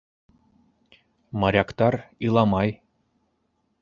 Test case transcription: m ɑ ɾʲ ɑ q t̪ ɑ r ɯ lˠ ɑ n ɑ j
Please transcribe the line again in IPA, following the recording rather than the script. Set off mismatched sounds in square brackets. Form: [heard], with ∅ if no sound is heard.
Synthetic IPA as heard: m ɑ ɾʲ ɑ [k] t̪ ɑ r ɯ lˠ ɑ [m] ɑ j